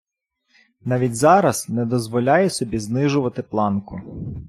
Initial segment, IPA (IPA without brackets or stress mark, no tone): n